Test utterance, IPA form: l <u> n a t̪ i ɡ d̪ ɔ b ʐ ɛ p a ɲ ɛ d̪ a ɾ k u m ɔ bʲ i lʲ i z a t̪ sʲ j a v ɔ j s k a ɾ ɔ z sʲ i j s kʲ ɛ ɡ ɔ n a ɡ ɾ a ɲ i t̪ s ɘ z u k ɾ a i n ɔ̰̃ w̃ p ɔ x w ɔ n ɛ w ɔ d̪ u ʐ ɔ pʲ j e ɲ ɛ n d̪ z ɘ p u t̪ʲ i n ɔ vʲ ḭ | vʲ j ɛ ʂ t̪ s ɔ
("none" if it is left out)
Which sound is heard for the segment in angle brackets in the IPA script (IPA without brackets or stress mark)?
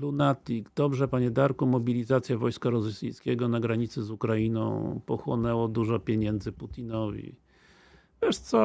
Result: u